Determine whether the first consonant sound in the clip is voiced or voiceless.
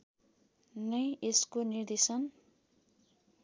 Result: voiced